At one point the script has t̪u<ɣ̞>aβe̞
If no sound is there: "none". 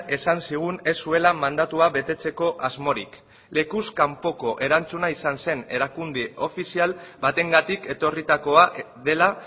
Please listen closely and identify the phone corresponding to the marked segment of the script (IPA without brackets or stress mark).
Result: none